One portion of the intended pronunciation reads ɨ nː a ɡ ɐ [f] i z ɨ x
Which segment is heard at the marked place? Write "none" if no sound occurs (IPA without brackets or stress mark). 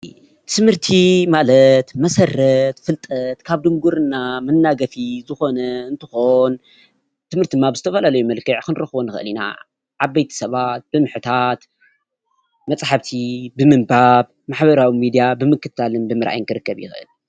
f